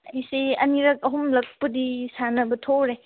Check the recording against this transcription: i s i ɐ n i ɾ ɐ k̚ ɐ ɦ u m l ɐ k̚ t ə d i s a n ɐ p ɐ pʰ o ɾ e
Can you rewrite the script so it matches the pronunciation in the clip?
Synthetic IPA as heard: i s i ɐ n i ɾ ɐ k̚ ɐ ɦ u m l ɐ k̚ p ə d i s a n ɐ b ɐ tʰ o ɾ e